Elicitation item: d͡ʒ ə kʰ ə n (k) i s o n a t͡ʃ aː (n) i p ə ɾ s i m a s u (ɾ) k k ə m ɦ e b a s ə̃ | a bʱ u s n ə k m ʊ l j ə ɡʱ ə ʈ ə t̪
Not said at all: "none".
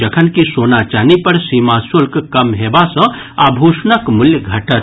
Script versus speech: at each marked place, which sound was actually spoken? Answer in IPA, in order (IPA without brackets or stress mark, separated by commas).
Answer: k, n, l